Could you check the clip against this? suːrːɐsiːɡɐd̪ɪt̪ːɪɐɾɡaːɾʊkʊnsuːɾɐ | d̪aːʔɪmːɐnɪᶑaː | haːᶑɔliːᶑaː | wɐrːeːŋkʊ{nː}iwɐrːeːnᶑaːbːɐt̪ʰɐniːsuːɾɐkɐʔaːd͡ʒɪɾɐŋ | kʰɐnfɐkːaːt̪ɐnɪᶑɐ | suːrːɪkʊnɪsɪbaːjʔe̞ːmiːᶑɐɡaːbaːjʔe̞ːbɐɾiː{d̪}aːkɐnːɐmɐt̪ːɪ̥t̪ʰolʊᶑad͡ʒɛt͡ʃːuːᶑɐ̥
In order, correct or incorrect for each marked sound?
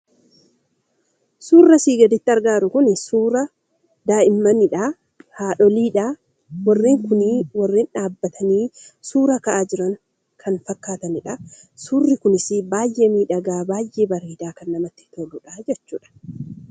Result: incorrect, correct

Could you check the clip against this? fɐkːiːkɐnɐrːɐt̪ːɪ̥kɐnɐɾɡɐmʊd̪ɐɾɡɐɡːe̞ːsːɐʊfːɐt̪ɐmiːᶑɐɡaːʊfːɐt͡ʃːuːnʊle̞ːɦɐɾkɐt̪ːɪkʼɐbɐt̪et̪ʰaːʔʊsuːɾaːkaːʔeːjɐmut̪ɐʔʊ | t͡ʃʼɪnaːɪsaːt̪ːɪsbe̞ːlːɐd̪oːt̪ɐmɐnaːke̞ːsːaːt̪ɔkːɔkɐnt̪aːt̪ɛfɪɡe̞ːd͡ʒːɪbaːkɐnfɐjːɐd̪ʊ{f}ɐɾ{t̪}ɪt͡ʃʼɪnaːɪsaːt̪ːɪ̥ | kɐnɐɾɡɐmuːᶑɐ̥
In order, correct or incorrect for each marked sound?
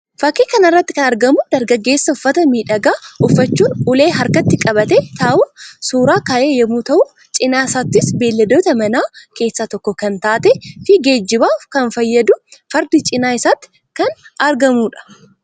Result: correct, incorrect

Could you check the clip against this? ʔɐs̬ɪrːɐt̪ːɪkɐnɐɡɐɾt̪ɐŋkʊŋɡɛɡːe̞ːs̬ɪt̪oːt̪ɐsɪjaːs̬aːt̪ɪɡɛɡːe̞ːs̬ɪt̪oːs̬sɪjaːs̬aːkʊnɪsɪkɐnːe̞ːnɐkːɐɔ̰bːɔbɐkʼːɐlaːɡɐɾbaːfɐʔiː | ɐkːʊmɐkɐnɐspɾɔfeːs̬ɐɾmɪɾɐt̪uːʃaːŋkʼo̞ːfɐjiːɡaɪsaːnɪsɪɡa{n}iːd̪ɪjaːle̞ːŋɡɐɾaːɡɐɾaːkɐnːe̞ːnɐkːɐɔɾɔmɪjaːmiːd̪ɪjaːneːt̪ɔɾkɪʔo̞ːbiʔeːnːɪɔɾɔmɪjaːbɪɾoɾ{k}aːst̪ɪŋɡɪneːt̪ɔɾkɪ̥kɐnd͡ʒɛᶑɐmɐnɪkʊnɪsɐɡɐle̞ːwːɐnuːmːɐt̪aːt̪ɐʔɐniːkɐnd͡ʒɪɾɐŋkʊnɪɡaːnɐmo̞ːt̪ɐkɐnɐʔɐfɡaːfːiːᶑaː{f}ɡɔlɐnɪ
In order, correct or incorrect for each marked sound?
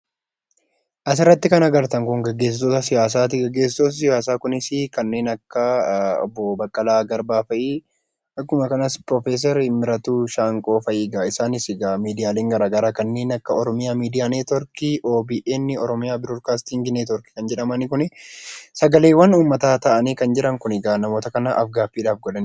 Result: incorrect, correct, correct

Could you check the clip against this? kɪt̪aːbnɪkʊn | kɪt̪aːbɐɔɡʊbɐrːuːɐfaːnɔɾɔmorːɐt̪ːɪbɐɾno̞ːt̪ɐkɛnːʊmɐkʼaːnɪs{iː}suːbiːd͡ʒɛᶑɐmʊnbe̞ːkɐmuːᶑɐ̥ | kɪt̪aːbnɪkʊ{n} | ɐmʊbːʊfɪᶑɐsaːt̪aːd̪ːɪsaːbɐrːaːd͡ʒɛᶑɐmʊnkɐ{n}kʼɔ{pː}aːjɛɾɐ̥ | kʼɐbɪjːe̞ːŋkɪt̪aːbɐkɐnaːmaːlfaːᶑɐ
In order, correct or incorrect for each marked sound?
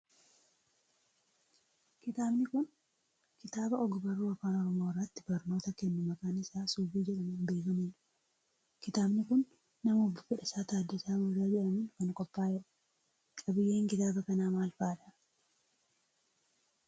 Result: incorrect, incorrect, correct, correct

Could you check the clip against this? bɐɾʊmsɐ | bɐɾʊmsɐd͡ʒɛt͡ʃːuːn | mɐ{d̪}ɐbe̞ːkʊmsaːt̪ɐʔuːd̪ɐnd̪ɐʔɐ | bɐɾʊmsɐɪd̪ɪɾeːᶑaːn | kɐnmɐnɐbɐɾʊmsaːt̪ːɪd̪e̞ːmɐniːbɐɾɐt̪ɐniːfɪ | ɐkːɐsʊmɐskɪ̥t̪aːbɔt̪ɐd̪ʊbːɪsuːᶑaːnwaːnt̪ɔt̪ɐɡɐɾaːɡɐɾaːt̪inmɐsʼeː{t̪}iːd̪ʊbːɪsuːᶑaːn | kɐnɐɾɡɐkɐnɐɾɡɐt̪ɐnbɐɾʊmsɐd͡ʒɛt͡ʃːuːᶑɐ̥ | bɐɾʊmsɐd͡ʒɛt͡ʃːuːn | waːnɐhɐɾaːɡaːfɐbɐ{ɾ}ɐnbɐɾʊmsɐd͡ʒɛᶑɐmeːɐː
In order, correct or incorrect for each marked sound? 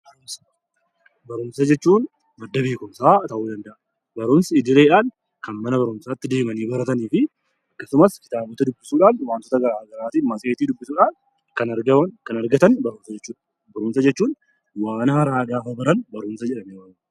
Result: incorrect, correct, correct

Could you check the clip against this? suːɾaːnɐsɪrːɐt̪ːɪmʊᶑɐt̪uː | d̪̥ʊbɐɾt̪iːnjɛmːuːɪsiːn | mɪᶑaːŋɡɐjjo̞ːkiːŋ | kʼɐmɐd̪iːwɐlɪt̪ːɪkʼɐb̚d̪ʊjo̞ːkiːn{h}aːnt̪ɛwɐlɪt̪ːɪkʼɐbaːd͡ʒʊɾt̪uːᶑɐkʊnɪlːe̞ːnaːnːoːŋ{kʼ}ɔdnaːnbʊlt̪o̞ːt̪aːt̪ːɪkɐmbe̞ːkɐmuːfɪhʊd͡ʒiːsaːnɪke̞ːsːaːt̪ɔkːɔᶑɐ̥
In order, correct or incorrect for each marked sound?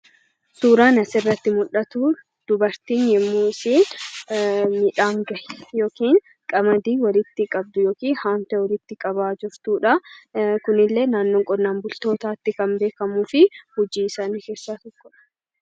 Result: correct, correct

